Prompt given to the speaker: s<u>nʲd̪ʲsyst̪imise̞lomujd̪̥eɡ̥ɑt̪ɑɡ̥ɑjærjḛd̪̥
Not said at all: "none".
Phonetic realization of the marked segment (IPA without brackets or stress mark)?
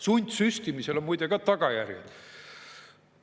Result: u